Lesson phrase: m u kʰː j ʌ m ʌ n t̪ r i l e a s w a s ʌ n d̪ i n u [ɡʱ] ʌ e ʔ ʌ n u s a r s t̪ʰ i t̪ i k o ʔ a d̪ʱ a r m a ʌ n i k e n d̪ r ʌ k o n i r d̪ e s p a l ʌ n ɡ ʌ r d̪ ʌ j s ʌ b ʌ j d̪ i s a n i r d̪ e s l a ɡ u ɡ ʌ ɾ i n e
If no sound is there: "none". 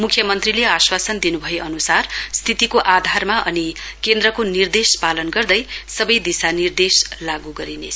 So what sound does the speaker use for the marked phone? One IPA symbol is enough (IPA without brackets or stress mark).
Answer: bʱ